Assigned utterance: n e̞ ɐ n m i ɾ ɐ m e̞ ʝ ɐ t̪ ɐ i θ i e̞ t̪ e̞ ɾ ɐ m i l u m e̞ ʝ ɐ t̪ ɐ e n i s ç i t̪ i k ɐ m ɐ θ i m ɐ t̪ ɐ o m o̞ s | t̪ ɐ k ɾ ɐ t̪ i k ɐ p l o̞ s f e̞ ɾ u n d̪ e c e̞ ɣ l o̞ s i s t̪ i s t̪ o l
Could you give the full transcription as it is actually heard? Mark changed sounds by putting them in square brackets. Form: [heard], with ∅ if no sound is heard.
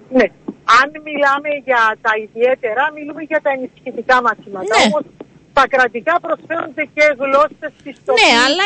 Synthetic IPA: n e̞ ɐ n m i [l] ɐ m e̞ ʝ ɐ t̪ ɐ i [ð] i e̞ t̪ e̞ ɾ ɐ m i l u m e̞ ʝ ɐ t̪ ɐ e n i s ç i t̪ i k ɐ m ɐ θ i m ɐ t̪ ɐ o m o̞ s | t̪ ɐ k ɾ ɐ t̪ i k ɐ p [ɾ] o̞ s f e̞ ɾ u n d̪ e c e̞ ɣ l o̞ s [e] s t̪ i s t̪ o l